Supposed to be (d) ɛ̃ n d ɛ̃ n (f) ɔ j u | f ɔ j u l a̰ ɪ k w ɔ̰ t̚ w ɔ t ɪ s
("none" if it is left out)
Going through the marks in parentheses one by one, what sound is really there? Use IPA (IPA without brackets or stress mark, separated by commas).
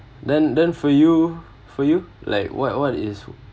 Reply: d, f